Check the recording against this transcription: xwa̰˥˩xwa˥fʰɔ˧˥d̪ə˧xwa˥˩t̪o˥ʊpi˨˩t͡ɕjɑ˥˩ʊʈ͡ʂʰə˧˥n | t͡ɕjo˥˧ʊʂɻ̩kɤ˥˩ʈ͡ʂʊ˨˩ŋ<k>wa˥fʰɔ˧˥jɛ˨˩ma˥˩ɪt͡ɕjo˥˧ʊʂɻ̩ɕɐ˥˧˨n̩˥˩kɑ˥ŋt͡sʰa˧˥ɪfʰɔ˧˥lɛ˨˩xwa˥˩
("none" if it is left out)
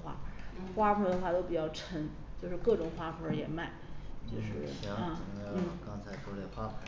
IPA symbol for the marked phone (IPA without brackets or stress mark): x